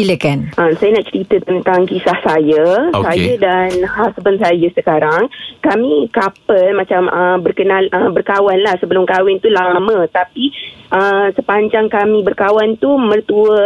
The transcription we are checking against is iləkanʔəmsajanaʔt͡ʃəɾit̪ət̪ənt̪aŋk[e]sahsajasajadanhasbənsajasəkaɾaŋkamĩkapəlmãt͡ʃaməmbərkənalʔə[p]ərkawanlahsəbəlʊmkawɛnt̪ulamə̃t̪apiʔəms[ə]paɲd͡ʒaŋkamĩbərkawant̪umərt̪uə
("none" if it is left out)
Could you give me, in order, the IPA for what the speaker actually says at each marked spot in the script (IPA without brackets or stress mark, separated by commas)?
i, b, ə